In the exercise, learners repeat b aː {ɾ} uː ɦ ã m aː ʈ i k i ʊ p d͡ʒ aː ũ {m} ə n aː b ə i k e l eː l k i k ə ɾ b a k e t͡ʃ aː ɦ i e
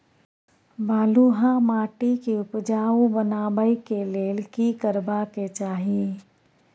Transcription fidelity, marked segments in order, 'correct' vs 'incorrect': incorrect: l, incorrect: b

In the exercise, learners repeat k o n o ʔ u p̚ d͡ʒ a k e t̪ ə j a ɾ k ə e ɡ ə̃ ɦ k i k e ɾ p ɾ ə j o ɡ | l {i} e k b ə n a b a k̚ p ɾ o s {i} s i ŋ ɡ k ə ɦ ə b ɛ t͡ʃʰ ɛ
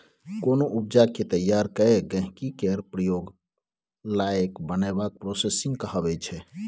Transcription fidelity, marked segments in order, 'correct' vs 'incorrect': incorrect: a, incorrect: e

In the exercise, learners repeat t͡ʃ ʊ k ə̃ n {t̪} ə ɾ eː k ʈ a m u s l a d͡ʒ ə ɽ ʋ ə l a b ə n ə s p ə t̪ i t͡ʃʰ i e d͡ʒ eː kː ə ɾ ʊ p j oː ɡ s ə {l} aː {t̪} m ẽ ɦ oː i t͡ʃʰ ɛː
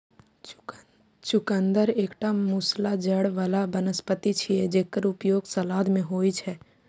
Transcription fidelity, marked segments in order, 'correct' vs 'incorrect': incorrect: d̪, correct, incorrect: d̪

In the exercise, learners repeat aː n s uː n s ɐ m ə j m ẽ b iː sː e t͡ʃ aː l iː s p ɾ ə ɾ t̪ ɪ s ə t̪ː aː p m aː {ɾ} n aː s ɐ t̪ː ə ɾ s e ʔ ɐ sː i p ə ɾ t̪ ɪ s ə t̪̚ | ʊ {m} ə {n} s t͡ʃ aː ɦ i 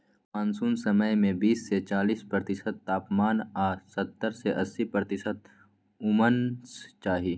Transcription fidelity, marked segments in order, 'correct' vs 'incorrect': incorrect: none, correct, correct

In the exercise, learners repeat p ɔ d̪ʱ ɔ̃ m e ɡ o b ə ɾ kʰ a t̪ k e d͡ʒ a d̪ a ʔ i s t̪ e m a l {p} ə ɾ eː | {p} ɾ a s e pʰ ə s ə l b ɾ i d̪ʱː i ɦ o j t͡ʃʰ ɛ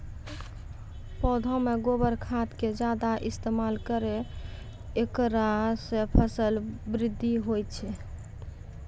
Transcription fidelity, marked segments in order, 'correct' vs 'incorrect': incorrect: k, incorrect: k

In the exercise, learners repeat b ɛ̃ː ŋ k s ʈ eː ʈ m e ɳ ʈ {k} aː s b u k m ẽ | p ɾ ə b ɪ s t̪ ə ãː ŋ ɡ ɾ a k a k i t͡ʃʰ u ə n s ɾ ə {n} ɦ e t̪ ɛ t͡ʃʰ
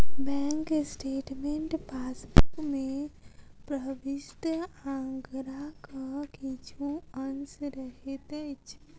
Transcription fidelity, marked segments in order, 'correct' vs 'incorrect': incorrect: p, incorrect: none

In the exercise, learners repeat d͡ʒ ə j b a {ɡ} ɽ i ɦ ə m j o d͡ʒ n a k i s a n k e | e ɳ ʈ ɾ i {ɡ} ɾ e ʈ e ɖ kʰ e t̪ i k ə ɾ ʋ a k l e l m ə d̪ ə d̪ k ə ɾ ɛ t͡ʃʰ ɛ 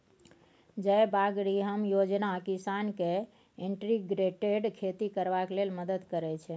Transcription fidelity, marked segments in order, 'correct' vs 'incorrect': correct, correct

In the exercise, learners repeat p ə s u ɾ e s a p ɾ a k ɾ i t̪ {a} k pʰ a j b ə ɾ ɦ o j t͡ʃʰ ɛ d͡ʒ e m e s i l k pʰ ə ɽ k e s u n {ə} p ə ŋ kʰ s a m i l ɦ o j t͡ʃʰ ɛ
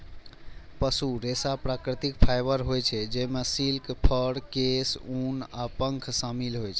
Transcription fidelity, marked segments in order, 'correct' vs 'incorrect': incorrect: i, incorrect: a

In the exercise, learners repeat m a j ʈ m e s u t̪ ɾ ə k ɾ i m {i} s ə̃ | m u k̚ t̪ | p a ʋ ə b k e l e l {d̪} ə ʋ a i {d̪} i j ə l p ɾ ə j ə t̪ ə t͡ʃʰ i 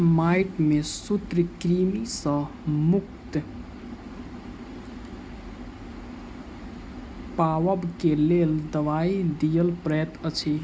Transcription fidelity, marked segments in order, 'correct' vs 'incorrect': correct, correct, correct

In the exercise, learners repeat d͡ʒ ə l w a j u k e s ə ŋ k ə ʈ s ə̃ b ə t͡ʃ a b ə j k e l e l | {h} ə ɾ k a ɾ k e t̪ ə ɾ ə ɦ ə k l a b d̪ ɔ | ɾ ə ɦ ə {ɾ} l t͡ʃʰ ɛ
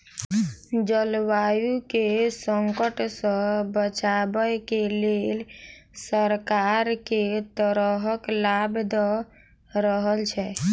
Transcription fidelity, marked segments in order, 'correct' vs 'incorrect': incorrect: s, incorrect: none

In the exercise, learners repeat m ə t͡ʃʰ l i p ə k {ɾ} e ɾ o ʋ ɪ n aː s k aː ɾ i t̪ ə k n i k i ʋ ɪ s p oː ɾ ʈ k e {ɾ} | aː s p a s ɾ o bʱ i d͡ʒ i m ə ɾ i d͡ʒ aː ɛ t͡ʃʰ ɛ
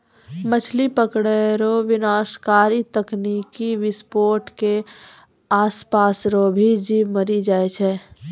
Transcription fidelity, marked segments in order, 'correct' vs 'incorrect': incorrect: ɽ, incorrect: none

